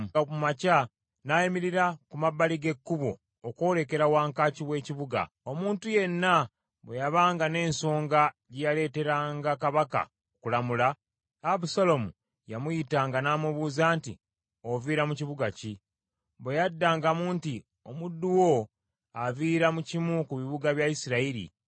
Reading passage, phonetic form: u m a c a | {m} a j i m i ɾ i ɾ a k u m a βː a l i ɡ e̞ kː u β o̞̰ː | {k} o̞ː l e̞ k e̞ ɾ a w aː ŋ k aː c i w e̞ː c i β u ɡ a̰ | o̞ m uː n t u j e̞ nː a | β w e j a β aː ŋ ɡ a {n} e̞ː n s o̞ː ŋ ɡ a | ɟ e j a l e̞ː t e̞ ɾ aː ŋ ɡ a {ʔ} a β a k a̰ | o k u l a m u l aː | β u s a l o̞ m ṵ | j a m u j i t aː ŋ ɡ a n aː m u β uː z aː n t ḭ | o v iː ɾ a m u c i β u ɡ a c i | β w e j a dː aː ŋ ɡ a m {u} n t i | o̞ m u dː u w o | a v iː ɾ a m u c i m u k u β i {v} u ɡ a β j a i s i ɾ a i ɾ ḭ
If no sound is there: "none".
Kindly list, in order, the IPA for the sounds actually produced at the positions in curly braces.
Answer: n, k, n, k, uː, β

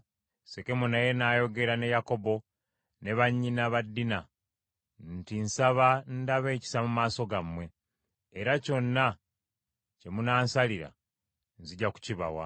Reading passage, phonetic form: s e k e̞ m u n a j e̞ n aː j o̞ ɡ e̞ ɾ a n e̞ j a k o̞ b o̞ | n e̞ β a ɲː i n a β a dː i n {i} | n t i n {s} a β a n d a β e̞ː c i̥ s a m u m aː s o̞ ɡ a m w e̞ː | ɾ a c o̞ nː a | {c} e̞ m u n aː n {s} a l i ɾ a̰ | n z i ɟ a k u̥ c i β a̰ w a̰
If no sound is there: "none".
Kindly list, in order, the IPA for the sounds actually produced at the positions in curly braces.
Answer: a, s, c, s

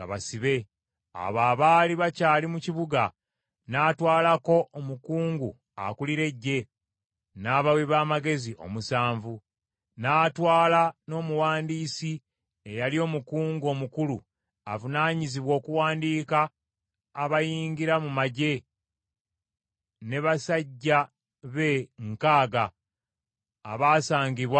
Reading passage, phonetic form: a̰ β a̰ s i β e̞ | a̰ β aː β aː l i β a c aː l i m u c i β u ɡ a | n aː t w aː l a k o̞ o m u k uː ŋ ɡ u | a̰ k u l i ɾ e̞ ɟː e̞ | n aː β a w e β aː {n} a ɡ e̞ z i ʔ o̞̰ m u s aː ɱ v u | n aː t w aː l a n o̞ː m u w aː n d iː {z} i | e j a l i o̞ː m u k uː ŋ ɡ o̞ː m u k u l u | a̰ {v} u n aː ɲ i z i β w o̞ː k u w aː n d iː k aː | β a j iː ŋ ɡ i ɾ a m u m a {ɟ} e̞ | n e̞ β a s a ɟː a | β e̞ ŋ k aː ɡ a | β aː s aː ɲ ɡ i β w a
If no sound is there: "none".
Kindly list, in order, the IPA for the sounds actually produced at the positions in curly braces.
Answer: m, s, v, ɟ

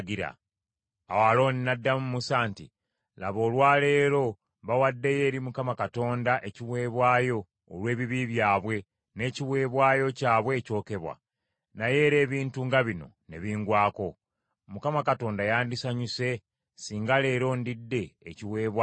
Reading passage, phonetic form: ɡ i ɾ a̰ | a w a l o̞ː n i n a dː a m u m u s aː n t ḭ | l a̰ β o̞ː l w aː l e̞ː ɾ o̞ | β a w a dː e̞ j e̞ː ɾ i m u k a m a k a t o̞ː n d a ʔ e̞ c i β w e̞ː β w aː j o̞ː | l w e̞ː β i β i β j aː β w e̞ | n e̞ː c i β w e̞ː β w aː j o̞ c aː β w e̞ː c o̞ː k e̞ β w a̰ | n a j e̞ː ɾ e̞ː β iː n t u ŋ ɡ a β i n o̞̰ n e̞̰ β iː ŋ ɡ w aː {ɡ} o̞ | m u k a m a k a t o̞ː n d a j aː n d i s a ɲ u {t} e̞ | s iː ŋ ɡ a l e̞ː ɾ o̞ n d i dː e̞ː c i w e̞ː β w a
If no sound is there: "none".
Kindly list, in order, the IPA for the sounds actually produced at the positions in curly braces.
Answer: k, s

